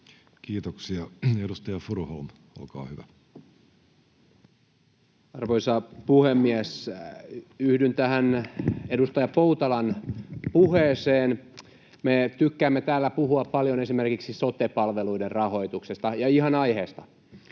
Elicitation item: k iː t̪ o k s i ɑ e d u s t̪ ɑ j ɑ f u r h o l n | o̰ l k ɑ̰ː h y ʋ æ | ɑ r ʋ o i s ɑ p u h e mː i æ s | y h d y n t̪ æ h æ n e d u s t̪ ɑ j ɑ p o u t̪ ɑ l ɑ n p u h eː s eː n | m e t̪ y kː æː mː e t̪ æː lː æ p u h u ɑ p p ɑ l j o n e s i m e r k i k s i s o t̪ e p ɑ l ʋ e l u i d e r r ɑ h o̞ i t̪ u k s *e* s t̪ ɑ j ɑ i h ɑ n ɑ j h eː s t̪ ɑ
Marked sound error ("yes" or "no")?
no